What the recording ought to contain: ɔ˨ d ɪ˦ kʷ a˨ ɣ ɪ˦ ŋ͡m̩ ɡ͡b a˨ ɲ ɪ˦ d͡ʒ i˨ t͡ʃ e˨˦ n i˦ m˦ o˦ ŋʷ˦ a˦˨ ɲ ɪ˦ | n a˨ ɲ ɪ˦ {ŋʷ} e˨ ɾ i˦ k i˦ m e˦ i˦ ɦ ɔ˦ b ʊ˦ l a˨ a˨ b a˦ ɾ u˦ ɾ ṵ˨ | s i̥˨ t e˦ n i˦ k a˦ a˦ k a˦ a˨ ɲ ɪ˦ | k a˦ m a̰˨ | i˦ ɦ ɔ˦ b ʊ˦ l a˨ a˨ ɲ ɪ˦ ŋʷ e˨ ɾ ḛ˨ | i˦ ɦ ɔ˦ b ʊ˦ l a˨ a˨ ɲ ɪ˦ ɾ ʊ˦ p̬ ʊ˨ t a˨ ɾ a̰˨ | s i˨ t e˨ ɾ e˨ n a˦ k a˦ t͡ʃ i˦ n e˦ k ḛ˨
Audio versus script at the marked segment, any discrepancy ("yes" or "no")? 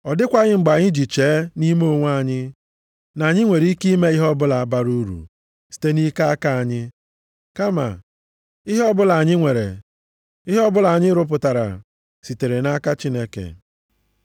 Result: no